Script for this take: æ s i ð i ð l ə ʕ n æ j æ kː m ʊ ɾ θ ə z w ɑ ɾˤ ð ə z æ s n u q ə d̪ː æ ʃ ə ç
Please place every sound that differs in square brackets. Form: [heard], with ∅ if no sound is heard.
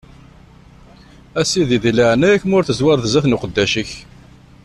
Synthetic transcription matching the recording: æ s i ð i ð l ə ʕ n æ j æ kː m ʊ ɾ θ ə z w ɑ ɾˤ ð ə z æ [θ] n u q ə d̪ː æ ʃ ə ç